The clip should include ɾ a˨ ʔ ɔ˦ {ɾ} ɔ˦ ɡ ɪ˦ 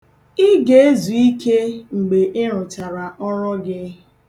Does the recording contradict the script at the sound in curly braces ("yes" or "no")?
no